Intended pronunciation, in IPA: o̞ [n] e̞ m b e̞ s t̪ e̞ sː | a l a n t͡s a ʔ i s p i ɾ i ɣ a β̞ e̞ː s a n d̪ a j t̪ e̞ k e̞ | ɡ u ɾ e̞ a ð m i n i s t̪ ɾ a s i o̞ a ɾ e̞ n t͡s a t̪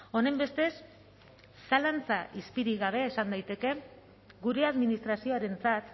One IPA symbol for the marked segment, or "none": n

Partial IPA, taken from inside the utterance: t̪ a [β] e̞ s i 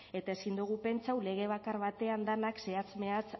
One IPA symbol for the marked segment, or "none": none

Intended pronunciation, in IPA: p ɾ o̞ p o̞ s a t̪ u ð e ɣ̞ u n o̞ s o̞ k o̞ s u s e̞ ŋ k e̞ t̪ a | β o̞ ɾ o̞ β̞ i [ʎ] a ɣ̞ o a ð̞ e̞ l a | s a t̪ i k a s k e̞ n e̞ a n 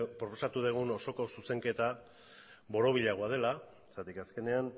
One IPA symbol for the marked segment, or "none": ʎ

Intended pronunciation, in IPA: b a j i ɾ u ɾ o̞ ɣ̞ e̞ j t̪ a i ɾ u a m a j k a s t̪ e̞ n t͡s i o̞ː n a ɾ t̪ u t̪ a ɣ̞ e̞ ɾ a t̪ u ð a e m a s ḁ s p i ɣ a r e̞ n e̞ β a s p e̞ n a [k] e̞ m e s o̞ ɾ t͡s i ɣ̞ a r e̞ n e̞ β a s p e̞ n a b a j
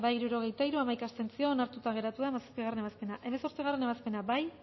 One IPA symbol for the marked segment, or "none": ʔ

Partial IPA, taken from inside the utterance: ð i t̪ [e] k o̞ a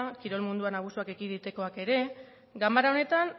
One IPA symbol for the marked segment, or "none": e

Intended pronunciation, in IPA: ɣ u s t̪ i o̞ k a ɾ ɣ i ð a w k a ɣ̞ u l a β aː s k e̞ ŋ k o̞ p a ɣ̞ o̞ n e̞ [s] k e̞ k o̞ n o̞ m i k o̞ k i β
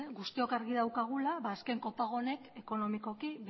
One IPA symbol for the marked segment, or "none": none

